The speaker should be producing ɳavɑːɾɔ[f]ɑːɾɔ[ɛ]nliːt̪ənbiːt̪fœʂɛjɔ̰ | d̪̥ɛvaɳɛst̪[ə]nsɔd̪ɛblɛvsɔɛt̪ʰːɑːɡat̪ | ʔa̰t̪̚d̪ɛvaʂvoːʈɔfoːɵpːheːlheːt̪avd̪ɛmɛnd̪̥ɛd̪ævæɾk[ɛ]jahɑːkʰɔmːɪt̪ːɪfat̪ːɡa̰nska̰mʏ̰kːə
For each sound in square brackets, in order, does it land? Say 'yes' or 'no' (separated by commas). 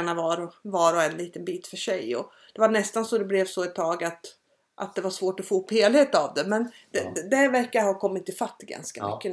no, yes, no, no